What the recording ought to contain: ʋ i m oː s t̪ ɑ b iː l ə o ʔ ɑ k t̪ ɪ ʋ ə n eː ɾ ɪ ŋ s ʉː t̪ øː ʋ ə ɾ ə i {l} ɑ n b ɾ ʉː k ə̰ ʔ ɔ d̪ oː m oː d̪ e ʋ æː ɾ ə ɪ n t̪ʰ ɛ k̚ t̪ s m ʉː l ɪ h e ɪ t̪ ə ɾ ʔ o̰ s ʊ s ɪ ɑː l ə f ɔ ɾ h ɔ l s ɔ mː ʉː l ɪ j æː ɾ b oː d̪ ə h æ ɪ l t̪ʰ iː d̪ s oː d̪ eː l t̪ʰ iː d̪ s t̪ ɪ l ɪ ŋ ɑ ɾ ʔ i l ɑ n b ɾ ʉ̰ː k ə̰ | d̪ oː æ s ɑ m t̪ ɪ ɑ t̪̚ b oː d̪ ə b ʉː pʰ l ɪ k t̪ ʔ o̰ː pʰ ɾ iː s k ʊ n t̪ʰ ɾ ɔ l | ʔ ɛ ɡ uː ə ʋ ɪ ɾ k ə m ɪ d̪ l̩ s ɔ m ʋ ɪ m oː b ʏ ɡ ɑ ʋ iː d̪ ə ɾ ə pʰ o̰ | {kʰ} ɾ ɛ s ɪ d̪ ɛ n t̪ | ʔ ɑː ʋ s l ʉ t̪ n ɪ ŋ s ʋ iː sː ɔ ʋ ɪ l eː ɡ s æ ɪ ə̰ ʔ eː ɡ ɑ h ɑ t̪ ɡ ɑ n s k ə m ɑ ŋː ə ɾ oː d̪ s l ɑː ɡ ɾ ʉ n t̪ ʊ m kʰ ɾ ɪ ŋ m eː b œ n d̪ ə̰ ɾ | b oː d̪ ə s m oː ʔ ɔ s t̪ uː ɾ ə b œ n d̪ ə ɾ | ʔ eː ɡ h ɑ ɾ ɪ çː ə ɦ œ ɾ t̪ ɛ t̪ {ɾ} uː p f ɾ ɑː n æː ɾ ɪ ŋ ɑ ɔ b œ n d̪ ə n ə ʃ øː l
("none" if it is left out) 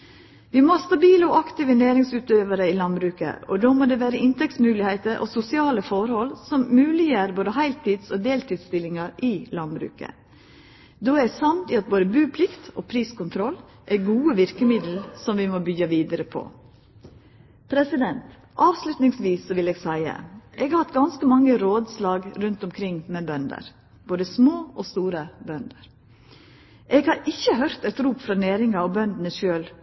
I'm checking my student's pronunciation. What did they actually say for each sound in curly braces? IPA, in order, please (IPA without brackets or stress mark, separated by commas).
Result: l, pʰ, ɾ